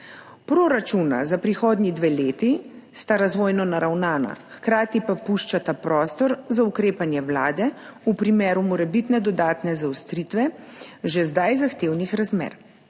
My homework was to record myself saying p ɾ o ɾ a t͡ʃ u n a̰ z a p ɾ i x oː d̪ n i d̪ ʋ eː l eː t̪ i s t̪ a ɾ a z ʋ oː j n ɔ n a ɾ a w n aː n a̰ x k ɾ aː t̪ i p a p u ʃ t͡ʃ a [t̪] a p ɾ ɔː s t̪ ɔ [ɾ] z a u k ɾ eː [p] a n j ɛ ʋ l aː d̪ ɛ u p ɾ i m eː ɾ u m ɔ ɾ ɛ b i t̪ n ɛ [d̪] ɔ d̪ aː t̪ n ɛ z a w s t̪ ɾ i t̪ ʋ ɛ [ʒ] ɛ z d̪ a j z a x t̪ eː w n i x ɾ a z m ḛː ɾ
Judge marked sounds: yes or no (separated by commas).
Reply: yes, yes, yes, yes, yes